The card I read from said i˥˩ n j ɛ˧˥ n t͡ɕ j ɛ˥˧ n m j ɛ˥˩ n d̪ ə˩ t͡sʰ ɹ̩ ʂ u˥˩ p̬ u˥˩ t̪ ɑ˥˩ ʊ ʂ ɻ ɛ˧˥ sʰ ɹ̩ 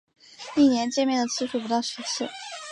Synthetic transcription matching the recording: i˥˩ n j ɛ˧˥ n t͡ɕ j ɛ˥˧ n m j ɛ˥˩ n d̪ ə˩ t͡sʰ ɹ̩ ʂ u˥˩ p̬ u˧˥ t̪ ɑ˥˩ ʊ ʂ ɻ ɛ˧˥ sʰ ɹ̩